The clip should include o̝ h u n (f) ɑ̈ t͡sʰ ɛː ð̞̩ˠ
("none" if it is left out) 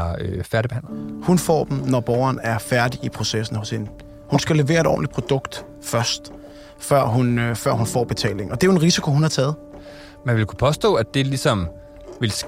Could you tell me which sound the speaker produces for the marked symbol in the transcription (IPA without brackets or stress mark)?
h